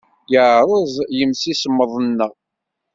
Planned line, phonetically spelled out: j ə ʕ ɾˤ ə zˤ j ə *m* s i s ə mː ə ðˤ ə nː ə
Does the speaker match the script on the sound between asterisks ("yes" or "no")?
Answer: yes